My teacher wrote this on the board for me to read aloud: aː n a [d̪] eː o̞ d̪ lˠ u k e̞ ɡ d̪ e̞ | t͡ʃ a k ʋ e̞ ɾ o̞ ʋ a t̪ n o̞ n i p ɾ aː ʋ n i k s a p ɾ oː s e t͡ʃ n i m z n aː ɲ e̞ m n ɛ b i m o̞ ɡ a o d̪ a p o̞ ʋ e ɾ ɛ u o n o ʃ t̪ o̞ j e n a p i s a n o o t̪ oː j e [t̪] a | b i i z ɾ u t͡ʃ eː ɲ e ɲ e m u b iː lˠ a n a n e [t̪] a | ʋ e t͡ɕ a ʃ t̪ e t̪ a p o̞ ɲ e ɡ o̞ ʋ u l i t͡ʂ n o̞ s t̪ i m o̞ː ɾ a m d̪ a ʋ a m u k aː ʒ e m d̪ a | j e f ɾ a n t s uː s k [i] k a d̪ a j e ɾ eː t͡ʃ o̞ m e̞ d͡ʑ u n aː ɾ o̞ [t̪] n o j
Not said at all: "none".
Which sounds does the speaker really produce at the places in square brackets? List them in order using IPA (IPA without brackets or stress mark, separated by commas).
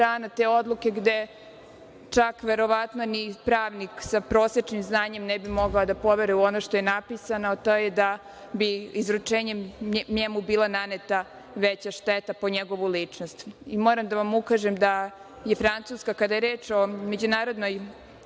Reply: t̪, d̪, t̪, a, d̪